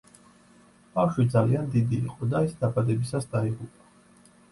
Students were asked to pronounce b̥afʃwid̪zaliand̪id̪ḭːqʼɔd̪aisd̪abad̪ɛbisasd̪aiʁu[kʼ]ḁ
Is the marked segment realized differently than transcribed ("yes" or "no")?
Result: yes